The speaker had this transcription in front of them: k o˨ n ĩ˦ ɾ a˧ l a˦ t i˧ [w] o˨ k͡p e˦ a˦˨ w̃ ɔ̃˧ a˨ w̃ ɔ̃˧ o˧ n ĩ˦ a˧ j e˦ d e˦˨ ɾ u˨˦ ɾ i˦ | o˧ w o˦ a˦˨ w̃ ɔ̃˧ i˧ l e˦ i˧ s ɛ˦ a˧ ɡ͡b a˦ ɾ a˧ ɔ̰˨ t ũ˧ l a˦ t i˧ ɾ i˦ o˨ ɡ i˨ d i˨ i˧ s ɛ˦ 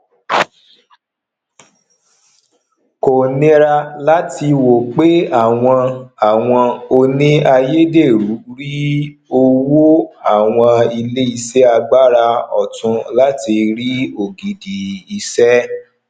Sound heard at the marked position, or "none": w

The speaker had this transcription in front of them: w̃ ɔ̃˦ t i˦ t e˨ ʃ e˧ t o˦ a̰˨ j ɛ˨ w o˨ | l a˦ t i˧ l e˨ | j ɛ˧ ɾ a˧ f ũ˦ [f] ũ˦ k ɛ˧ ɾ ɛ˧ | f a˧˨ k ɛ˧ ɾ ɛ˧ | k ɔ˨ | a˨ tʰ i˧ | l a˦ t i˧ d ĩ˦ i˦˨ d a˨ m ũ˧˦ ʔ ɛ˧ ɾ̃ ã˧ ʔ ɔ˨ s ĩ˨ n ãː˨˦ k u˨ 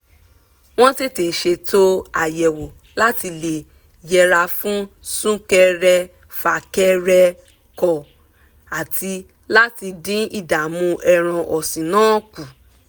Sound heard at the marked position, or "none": s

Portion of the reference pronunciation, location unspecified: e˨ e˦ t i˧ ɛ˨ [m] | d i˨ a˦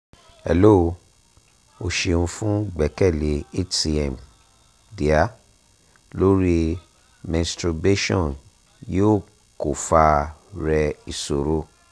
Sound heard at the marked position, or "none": m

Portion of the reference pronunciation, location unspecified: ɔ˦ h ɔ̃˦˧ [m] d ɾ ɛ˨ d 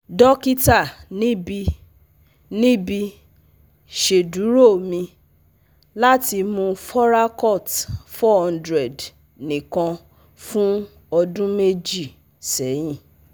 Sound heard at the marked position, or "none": n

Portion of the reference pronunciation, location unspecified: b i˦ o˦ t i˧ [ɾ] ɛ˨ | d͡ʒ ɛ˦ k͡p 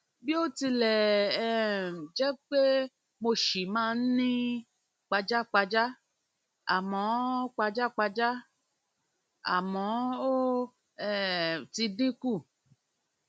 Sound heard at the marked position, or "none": l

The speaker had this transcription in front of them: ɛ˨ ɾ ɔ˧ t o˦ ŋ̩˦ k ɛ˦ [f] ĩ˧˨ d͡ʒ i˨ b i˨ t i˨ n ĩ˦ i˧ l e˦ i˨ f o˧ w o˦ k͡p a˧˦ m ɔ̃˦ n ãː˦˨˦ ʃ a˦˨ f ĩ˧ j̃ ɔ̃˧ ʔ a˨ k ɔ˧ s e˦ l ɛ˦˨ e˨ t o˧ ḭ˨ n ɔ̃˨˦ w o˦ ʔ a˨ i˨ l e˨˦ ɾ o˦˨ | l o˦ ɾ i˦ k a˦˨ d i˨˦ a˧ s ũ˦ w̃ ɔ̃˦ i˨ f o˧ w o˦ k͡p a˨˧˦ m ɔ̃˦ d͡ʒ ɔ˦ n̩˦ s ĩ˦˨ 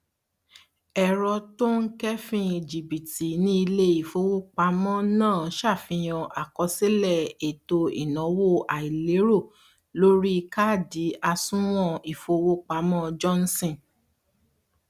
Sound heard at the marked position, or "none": f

